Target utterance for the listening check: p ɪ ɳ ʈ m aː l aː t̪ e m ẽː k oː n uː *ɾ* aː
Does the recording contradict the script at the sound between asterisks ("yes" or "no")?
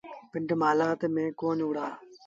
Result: yes